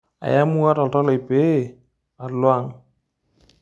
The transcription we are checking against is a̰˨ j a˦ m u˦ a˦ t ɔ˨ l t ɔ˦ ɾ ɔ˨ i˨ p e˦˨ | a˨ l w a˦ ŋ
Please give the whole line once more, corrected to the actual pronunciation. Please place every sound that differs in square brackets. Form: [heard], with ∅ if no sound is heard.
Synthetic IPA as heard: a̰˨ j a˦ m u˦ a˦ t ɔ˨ l t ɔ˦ [l] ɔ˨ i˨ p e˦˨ | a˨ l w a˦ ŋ